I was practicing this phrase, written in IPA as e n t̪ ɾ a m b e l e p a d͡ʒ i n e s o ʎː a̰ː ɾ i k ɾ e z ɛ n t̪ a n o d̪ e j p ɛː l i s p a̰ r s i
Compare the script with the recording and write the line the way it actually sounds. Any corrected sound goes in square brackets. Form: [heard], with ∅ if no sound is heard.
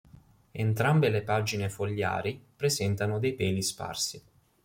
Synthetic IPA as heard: e n t̪ ɾ a m b e l e p a d͡ʒ i n e [f] o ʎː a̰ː ɾ i [p] ɾ e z ɛ n t̪ a n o d̪ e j p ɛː l i s p a̰ r s i